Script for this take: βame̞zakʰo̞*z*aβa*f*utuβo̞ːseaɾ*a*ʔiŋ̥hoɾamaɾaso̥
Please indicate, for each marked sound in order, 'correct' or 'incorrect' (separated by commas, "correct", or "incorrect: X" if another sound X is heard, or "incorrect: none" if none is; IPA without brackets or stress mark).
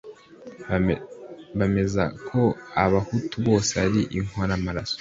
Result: incorrect: none, incorrect: h, incorrect: i